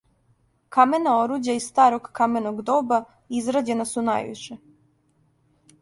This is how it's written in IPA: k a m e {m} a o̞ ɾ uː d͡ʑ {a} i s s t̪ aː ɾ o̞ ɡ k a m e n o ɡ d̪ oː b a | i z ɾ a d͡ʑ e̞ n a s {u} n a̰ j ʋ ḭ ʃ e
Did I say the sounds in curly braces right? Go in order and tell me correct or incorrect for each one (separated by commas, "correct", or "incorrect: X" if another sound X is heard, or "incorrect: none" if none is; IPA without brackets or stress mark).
incorrect: n, correct, correct